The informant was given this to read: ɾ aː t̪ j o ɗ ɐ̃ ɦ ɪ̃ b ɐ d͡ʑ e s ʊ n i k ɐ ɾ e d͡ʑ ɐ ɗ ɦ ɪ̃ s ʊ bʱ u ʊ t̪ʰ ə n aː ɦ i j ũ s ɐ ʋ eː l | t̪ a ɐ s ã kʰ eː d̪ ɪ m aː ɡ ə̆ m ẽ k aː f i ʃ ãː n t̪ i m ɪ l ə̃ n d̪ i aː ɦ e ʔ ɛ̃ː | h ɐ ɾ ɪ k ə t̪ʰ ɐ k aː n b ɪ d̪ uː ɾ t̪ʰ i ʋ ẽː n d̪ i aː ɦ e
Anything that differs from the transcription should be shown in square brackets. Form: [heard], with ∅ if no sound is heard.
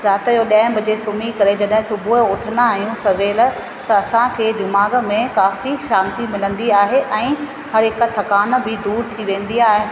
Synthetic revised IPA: ɾ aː t̪ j o ɗ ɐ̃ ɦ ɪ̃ b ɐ d͡ʑ e s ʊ [m] i k ɐ ɾ e d͡ʑ ɐ ɗ ɦ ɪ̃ s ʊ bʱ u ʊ t̪ʰ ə n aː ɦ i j ũ s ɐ ʋ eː l | t̪ [ɐ] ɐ s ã kʰ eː d̪ ɪ m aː ɡ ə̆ m ẽ k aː f i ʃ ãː n t̪ i m ɪ l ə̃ n d̪ i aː ɦ e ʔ ɛ̃ː | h ɐ ɾ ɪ k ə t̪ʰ ɐ k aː n b ɪ d̪ uː ɾ t̪ʰ i ʋ ẽː n d̪ i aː ɦ e